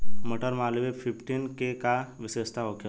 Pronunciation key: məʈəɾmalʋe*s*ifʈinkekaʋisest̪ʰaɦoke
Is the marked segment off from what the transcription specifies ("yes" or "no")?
yes